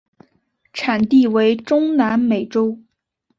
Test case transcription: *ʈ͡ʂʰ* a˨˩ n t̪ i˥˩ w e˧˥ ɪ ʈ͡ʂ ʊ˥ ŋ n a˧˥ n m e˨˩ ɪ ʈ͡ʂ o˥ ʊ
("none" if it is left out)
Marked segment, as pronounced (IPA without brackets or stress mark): ʈ͡ʂʰ